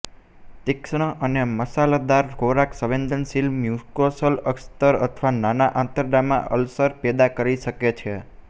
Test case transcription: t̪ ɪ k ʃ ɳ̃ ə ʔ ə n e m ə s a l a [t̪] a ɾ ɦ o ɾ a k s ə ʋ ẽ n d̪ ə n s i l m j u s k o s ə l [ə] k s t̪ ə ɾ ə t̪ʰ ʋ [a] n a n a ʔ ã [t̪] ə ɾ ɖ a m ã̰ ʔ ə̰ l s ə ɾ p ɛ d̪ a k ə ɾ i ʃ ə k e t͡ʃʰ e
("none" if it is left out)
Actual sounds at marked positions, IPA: d̪, ə, a, t̪

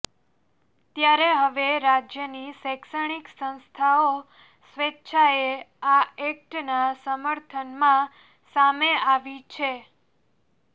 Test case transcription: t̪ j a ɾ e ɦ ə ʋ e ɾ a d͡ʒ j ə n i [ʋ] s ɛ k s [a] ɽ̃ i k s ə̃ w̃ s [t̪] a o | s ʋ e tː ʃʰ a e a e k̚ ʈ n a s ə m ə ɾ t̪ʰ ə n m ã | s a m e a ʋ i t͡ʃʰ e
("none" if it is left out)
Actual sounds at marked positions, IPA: none, ə, t̪ʰ

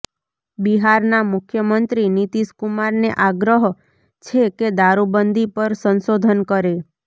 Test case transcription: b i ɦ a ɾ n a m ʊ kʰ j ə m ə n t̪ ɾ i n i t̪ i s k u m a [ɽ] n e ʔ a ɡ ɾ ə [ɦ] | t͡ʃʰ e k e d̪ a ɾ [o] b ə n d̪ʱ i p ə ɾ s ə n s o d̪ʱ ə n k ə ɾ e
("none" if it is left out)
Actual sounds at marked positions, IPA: ɾ, ɦ, u

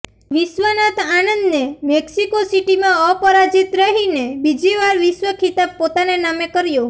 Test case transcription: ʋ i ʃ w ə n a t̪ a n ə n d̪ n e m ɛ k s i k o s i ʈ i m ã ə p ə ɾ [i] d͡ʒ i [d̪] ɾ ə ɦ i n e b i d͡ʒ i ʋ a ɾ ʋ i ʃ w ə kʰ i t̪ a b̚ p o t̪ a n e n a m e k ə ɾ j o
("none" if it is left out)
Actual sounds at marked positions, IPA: a, t̪

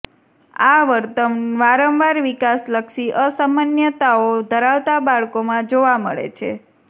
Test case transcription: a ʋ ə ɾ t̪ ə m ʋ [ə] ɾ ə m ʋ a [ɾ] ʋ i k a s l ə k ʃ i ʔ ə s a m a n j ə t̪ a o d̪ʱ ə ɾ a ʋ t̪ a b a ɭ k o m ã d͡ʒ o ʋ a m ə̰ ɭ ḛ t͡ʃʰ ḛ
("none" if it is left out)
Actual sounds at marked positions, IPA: a, ɾ

